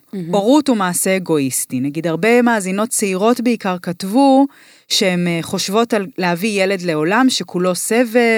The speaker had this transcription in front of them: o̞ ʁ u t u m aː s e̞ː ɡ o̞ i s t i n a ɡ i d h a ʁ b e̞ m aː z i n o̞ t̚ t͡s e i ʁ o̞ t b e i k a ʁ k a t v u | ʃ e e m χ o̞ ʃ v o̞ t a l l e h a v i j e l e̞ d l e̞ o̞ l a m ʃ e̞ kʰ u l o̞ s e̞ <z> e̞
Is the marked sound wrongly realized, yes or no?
yes